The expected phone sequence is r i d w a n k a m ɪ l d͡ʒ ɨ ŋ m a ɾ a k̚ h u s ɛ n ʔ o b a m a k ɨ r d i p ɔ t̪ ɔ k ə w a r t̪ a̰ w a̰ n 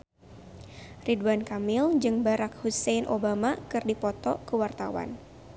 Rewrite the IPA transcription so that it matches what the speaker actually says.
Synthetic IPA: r i d w a n k a m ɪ l d͡ʒ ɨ ŋ b a ɾ a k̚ h u s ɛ n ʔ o b a m a k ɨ r d i p ɔ t̪ ɔ k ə w a r t̪ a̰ w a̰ n